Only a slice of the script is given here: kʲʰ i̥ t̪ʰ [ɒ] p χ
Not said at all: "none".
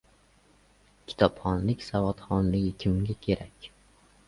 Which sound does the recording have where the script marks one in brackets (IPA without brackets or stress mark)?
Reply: ɒ